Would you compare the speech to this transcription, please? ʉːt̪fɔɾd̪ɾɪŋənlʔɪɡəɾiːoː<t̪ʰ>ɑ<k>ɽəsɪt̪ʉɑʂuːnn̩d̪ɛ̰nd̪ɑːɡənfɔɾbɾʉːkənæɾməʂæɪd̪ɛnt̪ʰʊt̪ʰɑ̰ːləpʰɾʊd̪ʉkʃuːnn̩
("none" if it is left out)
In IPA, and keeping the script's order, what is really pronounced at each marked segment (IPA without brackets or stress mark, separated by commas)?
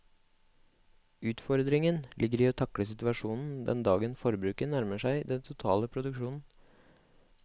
t̪ʰ, k